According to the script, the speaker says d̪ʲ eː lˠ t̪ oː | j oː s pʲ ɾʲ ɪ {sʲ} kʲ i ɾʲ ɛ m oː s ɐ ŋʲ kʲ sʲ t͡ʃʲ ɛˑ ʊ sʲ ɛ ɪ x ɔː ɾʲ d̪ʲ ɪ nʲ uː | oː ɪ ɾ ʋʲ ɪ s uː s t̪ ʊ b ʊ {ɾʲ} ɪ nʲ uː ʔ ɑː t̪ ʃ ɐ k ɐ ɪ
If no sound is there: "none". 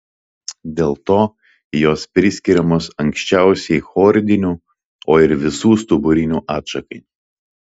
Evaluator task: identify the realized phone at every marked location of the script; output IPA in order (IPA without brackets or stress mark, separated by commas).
sʲ, ɾʲ